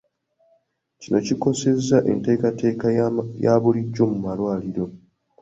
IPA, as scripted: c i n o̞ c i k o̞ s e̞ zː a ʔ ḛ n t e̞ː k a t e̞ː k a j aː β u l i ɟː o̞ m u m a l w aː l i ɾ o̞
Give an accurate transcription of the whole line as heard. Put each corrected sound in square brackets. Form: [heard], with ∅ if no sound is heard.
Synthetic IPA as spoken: c i n o̞ c i k o̞ s e̞ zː a ʔ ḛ n t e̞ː k a t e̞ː k a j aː β u l i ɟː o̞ m u m a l w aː l i ɾ o̞